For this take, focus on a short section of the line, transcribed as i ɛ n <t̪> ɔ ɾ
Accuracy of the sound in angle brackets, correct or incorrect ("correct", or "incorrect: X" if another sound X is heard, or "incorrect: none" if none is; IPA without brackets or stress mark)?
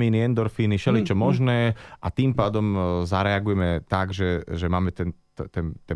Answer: incorrect: d̪